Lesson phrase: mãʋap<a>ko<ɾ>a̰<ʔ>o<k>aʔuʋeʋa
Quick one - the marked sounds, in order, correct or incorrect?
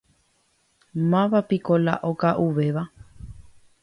incorrect, incorrect, correct, correct

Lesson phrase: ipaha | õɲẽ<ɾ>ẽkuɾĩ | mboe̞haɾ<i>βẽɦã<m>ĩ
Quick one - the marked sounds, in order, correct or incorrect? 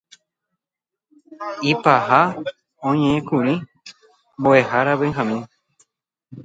incorrect, incorrect, correct

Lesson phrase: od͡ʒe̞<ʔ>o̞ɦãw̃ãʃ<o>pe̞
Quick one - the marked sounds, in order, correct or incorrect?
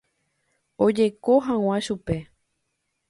incorrect, incorrect

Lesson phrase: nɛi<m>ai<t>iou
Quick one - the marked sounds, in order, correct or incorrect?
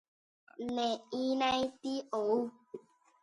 incorrect, correct

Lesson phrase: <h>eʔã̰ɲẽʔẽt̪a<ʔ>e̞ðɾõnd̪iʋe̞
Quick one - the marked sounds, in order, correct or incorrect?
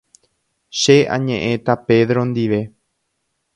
incorrect, incorrect

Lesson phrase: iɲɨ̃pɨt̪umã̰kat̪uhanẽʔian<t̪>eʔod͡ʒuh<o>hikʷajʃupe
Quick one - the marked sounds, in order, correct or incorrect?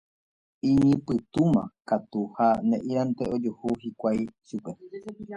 correct, incorrect

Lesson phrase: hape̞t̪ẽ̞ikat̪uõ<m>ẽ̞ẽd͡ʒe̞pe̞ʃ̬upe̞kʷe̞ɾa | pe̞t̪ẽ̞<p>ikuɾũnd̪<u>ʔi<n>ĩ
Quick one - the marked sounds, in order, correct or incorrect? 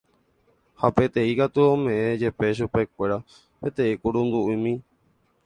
correct, incorrect, correct, incorrect

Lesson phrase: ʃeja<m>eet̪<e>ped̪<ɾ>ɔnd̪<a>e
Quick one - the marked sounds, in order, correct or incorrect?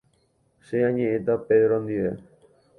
incorrect, incorrect, correct, incorrect

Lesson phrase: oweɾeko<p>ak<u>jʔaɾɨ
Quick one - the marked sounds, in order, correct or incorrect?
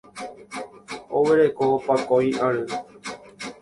correct, incorrect

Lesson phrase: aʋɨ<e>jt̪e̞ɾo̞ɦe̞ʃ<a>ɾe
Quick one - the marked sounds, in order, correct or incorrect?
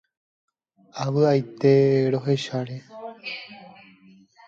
incorrect, correct

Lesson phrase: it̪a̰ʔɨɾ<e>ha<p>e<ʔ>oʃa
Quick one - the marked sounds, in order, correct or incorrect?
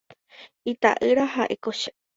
incorrect, incorrect, incorrect

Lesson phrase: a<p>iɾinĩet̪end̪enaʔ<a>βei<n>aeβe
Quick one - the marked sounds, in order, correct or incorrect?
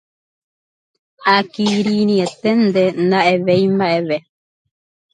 incorrect, incorrect, incorrect

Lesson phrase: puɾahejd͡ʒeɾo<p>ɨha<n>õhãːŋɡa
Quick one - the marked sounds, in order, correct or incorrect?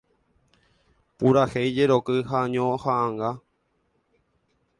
incorrect, incorrect

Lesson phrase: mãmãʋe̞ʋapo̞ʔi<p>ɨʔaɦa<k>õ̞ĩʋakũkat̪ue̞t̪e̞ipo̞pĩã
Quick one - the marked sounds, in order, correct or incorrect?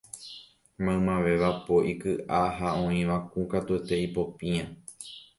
incorrect, incorrect

